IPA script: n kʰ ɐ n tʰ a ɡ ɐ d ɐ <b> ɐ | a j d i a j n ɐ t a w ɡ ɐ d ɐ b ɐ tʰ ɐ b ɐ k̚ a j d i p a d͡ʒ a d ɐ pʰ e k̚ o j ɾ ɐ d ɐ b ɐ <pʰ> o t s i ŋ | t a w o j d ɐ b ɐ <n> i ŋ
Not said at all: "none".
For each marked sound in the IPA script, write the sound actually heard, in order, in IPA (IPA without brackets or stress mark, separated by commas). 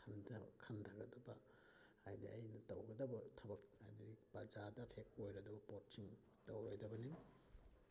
b, p, n